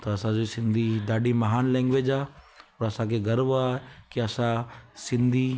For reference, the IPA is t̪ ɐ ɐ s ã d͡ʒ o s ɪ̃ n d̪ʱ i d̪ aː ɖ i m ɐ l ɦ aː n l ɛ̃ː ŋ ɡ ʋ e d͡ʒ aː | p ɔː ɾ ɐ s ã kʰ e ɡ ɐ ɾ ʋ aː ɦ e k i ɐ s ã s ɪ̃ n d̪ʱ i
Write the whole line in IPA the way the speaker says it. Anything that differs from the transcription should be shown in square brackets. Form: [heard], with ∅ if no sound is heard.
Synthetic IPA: t̪ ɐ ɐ s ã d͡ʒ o s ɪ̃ n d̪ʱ i d̪ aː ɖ i m ɐ [∅] ɦ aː n l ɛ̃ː ŋ ɡ ʋ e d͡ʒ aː | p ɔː ɾ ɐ s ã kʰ e ɡ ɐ ɾ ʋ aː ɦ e k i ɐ s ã s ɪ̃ n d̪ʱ i